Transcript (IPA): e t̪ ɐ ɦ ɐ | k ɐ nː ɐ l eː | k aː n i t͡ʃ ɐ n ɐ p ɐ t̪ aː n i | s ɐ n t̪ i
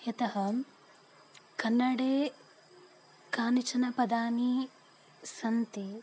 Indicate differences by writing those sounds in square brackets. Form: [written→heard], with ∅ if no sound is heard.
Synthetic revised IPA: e t̪ ɐ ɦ ɐ | k ɐ nː ɐ [l→ɽ] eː | k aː n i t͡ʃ ɐ n ɐ p ɐ [t̪→d̪] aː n i | s ɐ n t̪ i

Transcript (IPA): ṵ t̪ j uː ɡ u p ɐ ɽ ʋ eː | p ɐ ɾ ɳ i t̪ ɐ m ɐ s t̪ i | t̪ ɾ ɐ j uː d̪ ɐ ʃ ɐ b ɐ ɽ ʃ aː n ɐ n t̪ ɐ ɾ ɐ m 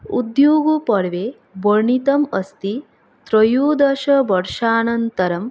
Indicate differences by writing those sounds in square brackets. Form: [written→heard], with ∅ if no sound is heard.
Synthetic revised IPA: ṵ [t̪→d̪] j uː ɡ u p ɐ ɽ ʋ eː | [p→b] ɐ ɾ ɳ i t̪ ɐ m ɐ s t̪ i | t̪ ɾ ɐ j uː d̪ ɐ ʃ ɐ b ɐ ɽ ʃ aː n ɐ n t̪ ɐ ɾ ɐ m

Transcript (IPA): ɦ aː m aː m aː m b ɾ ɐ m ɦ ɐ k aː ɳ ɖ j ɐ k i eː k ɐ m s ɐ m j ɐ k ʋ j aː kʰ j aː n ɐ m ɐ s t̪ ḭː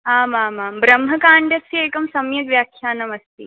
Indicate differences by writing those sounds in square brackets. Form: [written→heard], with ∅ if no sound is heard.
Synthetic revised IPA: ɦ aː m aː m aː m b ɾ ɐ m ɦ ɐ k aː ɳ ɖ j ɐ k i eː k ɐ m s ɐ m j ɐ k ʋ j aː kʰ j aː n ɐ m ɐ s t̪ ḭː

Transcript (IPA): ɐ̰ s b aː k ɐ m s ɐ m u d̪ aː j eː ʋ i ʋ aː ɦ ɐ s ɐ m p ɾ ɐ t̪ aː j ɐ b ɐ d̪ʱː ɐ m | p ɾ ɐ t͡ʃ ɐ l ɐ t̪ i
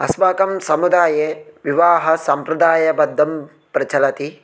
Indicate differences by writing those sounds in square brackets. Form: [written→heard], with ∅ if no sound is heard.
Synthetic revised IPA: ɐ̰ s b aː k ɐ m s ɐ m u d̪ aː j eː ʋ i ʋ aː ɦ ɐ s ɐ m p ɾ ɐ [t̪→d̪] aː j ɐ b ɐ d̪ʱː ɐ m | p ɾ ɐ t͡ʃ ɐ l ɐ t̪ i

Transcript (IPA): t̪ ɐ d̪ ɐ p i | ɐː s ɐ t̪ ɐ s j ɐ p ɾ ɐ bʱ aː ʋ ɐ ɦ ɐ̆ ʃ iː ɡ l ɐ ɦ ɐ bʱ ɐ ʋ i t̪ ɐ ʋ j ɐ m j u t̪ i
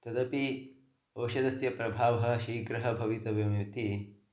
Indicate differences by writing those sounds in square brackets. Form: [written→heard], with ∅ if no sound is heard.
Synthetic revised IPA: t̪ ɐ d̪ ɐ p i | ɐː [s→ʃ] ɐ [t̪→d̪] ɐ s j ɐ p ɾ ɐ bʱ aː ʋ ɐ ɦ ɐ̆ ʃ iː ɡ [l→ɾ] ɐ ɦ ɐ bʱ ɐ ʋ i t̪ ɐ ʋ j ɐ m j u t̪ i

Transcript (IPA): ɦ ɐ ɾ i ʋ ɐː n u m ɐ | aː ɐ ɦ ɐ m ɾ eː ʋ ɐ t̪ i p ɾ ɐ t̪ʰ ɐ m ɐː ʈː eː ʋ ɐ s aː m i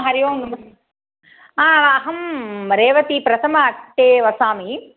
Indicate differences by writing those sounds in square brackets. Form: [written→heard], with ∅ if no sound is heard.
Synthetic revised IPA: ɦ ɐ ɾ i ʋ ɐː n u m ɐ | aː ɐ ɦ ɐ m ɾ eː ʋ ɐ t̪ i p ɾ ɐ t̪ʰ ɐ m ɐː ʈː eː ʋ ɐ s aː m i

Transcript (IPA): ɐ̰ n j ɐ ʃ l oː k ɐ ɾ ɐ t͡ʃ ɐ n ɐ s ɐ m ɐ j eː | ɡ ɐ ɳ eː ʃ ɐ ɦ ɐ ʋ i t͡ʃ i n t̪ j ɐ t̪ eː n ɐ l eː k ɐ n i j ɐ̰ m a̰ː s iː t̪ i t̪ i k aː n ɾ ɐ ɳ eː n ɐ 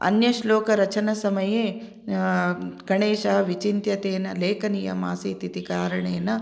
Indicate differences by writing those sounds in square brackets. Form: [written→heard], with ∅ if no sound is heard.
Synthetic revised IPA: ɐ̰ n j ɐ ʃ l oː k ɐ ɾ ɐ t͡ʃ ɐ n ɐ s ɐ m ɐ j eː | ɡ ɐ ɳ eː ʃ ɐ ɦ ɐ ʋ i t͡ʃ i n t̪ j ɐ t̪ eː n ɐ l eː k ɐ n i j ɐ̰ m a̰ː s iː t̪ i t̪ i k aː [n→∅] ɾ ɐ ɳ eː n ɐ

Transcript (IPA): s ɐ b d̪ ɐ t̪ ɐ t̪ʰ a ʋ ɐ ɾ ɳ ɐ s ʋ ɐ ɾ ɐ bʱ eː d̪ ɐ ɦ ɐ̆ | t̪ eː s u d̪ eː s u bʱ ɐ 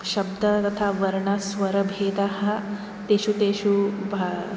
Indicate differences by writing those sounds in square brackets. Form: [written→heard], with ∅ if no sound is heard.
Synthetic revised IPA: [s→ʃ] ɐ b d̪ ɐ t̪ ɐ t̪ʰ a ʋ ɐ ɾ ɳ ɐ s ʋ ɐ ɾ ɐ bʱ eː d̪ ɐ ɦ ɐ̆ | t̪ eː [s→ʃ] u [d̪→t̪] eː [s→ʃ] u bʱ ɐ

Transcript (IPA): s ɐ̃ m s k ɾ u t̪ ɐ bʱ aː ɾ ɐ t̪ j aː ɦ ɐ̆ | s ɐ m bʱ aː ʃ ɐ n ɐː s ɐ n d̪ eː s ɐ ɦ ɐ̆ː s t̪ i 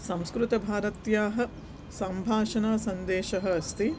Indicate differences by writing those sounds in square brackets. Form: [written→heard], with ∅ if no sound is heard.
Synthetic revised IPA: s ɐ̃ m s k ɾ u t̪ ɐ bʱ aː ɾ ɐ t̪ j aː ɦ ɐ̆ | s ɐ m bʱ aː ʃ ɐ n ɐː s ɐ n d̪ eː [s→ʃ] ɐ ɦ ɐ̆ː s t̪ i

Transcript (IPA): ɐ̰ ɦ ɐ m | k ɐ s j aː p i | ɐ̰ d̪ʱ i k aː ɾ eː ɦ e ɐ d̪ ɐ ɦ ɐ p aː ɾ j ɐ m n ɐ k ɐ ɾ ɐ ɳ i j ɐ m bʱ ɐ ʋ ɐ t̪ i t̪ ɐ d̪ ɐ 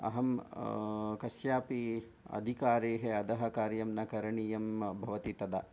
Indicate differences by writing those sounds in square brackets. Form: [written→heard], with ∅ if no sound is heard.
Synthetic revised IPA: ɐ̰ ɦ ɐ m | k ɐ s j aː p i | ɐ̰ d̪ʱ i k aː ɾ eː ɦ e ɐ d̪ ɐ ɦ ɐ [p→k] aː ɾ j ɐ m n ɐ k ɐ ɾ ɐ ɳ i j ɐ m bʱ ɐ ʋ ɐ t̪ i t̪ ɐ d̪ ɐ

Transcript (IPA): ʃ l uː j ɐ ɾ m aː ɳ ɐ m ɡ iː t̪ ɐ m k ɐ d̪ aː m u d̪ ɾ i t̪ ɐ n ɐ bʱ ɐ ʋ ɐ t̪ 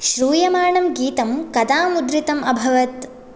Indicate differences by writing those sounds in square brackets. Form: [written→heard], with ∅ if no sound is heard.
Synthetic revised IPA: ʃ [l→ɾ] uː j ɐ [ɾ→∅] m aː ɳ ɐ m ɡ iː t̪ ɐ m k ɐ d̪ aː m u d̪ ɾ i t̪ ɐ [n→m] ɐ bʱ ɐ ʋ ɐ t̪

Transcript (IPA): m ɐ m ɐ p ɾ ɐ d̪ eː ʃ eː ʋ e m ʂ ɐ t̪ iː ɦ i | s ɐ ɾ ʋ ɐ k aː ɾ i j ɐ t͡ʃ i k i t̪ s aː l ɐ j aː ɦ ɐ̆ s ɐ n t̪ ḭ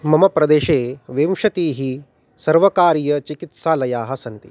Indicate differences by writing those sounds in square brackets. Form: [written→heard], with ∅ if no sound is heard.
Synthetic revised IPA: m ɐ m ɐ p ɾ ɐ d̪ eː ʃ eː ʋ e m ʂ ɐ t̪ iː ɦ i | s ɐ ɾ ʋ ɐ k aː ɾ i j ɐ t͡ʃ i k i t̪ s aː l ɐ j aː ɦ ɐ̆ s ɐ n t̪ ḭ

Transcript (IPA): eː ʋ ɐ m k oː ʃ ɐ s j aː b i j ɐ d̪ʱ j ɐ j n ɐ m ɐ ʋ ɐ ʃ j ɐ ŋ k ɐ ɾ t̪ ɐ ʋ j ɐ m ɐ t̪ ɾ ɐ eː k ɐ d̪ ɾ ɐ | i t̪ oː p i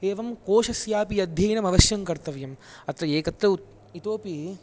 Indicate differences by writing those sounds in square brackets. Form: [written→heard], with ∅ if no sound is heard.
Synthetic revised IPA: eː ʋ ɐ m k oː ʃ ɐ s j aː [b→p] i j ɐ d̪ʱ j ɐ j n ɐ m ɐ ʋ ɐ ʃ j ɐ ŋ k ɐ ɾ t̪ ɐ ʋ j ɐ m ɐ t̪ ɾ ɐ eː k ɐ [d̪→t̪] ɾ ɐ | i t̪ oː p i

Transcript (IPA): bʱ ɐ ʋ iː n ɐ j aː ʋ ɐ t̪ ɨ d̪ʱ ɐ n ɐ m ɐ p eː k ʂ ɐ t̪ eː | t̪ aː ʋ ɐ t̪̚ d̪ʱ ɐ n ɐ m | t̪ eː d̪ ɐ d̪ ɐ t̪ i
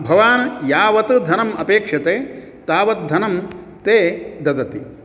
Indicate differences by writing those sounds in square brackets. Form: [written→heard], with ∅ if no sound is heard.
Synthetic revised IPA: bʱ ɐ ʋ [iː→aː] n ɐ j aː ʋ ɐ t̪ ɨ d̪ʱ ɐ n ɐ m ɐ p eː k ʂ ɐ t̪ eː | t̪ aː ʋ ɐ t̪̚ d̪ʱ ɐ n ɐ m | t̪ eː d̪ ɐ d̪ ɐ t̪ i

